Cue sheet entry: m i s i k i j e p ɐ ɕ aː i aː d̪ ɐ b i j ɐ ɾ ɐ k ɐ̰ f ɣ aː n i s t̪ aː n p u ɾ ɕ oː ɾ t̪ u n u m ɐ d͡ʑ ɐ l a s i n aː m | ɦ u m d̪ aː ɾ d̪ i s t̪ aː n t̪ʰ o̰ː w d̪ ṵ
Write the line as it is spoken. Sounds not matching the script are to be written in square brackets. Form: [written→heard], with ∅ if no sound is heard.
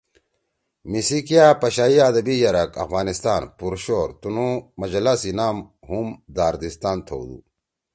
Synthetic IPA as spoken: m i s i k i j [e→a] p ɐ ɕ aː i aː d̪ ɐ b i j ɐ ɾ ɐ k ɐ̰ f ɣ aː n i s t̪ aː n p u ɾ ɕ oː ɾ t̪ u n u m ɐ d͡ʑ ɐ l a s i n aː m | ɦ u m d̪ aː ɾ d̪ i s t̪ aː n t̪ʰ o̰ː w d̪ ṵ